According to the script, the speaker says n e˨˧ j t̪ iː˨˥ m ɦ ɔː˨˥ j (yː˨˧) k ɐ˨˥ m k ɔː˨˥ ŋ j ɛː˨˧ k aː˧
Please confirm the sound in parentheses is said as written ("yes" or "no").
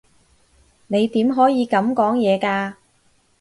no